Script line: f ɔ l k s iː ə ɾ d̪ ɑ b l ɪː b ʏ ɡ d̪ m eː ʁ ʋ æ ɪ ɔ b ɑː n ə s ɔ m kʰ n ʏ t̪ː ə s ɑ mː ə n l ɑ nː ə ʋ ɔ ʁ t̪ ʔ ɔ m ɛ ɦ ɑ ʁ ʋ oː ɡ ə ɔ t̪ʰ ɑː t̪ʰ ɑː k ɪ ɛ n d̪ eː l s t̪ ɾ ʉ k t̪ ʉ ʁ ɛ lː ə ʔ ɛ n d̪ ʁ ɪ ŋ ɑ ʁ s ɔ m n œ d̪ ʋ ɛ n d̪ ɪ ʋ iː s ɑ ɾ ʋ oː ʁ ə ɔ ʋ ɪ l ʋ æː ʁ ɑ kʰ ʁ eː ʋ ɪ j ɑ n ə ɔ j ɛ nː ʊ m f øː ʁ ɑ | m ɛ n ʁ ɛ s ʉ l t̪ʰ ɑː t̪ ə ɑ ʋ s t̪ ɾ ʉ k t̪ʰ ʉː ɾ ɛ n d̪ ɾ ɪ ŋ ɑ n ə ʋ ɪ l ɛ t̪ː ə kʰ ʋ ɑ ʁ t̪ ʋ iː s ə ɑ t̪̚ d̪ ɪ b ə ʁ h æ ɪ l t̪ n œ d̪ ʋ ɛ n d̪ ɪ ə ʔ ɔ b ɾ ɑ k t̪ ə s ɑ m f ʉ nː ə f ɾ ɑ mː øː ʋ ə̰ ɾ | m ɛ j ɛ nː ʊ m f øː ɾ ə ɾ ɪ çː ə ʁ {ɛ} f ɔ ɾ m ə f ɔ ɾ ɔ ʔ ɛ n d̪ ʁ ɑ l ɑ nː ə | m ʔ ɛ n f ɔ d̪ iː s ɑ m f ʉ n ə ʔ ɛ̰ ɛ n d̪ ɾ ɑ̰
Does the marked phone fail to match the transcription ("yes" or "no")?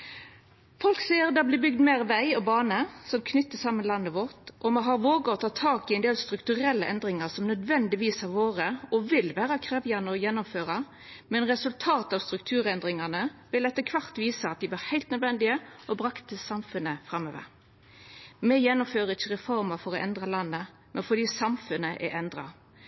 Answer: no